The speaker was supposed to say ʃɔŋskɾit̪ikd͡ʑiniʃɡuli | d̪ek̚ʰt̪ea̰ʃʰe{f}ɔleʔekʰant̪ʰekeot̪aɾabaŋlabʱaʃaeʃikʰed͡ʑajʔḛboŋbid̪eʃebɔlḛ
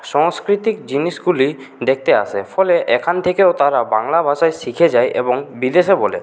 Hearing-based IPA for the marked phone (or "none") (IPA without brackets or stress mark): f